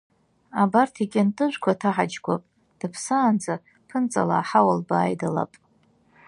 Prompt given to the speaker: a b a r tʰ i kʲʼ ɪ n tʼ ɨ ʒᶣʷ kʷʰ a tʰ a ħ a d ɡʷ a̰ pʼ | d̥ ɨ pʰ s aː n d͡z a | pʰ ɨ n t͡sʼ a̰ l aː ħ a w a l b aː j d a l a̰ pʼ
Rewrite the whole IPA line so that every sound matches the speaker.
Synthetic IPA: a b a r tʰ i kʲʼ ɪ n tʼ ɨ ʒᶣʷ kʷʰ a tʰ a ħ a d͡ʒ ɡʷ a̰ pʼ | d̥ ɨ pʰ s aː n d͡z a | pʰ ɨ n t͡sʼ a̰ l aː ħ a w a l b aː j d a l a̰ pʼ